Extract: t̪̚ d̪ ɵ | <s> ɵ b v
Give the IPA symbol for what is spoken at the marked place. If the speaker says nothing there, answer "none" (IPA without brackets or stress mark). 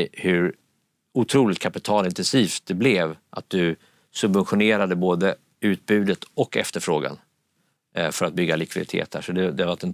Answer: s